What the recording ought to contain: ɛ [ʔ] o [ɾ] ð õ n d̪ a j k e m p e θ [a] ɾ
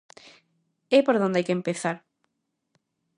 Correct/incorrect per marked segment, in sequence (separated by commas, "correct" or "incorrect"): incorrect, correct, correct